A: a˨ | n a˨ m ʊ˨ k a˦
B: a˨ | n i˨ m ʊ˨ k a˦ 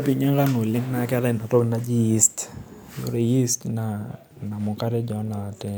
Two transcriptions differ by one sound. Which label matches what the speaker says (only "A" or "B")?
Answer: A